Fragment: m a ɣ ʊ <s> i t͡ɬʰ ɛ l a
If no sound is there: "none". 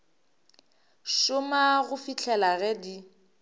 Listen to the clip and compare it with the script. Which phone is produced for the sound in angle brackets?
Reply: f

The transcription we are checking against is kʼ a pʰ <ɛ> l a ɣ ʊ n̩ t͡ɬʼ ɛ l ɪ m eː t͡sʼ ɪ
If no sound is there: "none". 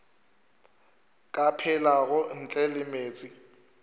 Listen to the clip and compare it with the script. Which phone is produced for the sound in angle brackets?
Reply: ɛ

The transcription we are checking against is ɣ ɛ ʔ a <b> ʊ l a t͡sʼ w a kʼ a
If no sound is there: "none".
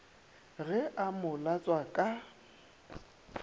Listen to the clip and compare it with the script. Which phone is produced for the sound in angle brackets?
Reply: m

